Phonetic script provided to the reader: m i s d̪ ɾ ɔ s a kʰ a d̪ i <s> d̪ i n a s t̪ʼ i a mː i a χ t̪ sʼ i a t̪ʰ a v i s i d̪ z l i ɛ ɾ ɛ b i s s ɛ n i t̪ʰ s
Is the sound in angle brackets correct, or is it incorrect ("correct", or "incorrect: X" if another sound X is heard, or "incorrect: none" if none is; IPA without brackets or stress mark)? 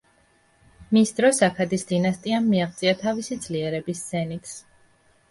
correct